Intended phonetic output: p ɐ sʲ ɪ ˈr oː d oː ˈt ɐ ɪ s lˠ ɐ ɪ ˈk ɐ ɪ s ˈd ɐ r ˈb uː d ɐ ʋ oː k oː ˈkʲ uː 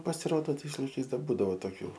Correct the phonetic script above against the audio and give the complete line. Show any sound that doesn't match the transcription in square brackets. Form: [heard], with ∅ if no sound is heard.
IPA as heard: p ɐ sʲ ɪ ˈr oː d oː ˈt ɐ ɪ s lˠ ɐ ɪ ˈk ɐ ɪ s ˈd ɐ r ˈb uː d ɐ ʋ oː [t] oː ˈkʲ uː

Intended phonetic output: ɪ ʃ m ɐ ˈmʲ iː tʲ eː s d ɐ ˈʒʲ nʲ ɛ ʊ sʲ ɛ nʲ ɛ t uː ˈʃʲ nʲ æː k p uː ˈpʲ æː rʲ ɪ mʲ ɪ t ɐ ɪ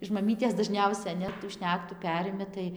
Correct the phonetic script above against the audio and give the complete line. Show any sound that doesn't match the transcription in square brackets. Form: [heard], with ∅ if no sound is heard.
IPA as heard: ɪ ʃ m ɐ ˈmʲ iː tʲ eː s d ɐ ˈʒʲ nʲ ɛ ʊ sʲ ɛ nʲ ɛ t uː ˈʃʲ nʲ æː k [t] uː ˈpʲ æː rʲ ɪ mʲ ɪ t ɐ ɪ

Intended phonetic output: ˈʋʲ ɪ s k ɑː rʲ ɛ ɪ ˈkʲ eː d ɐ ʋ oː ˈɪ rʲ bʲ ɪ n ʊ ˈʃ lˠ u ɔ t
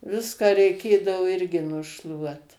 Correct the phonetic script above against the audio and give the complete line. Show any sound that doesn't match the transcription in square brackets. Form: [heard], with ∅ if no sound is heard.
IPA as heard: ˈʋʲ ɪ s k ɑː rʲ ɛ ɪ ˈkʲ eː d ɐ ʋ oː ˈɪ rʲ [ɡʲ] ɪ n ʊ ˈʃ lˠ u ɔ t

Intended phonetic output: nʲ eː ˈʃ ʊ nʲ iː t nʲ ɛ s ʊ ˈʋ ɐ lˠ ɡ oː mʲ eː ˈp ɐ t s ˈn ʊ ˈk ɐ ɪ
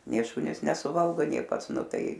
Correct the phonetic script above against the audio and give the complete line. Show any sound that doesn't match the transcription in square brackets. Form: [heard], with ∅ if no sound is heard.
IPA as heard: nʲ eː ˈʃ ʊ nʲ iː [s] nʲ ɛ s ʊ ˈʋ ɐ lˠ ɡ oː [nʲ] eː ˈp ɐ t s ˈn ʊ [ˈt] ɐ ɪ

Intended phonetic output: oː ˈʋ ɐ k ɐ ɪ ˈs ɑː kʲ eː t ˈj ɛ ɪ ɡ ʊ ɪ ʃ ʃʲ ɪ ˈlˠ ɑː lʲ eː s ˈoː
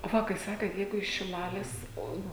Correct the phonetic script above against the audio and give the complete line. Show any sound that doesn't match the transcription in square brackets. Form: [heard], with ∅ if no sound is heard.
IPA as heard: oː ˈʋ ɐ k ɐ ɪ ˈs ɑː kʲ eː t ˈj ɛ ɪ ɡ ʊ ɪ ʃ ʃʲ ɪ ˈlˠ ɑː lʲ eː s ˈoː

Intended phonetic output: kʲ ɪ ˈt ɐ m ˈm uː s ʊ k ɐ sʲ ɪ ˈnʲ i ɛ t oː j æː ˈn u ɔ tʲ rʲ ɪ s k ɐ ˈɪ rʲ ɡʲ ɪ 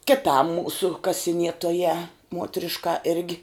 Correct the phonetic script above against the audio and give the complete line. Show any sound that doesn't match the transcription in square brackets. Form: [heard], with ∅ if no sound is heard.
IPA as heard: kʲ ɪ ˈt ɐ m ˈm uː s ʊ k ɐ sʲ ɪ ˈnʲ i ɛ t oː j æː [ˈm] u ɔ tʲ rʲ ɪ [ʃ] k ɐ ˈɪ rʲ ɡʲ ɪ

